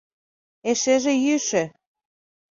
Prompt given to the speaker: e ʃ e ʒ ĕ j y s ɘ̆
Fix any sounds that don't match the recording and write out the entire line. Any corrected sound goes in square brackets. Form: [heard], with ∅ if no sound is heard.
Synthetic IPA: e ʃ e ʒ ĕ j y [ʃ] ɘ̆